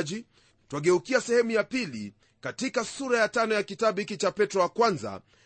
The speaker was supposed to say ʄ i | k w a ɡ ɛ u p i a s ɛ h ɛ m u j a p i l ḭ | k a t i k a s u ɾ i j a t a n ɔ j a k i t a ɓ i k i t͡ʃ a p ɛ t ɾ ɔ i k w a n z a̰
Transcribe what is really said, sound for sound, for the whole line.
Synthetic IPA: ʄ i | t w a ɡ ɛ u k i a s ɛ h ɛ m u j a p i l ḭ | k a t i k a s u ɾ a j a t a n ɔ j a k i t a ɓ i k i t͡ʃ a p ɛ t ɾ ɔ a k w a n z a̰